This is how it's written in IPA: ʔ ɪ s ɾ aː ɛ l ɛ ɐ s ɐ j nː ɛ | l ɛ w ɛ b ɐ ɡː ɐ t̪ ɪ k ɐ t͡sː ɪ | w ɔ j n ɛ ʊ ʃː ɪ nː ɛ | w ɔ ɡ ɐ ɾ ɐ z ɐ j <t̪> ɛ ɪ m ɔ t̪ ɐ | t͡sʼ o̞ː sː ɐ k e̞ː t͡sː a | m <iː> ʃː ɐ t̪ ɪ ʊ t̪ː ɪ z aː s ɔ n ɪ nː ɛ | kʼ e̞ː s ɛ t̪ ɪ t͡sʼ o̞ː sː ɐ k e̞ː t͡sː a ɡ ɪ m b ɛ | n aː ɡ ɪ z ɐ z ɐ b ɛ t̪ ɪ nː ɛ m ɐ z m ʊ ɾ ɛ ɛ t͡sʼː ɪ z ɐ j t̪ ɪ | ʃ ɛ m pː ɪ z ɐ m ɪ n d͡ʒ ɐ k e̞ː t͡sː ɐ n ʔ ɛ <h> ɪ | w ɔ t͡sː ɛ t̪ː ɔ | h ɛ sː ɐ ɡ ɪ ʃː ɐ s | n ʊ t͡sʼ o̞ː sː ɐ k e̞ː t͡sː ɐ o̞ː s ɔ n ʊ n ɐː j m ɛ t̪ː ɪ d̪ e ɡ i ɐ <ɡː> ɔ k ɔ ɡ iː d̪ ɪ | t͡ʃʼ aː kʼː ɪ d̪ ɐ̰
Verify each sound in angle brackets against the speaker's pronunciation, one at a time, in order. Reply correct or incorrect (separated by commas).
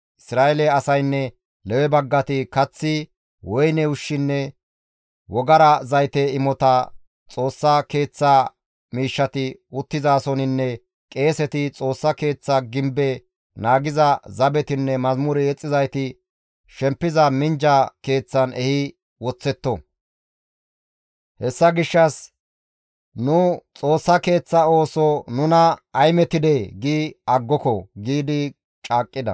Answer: correct, correct, correct, correct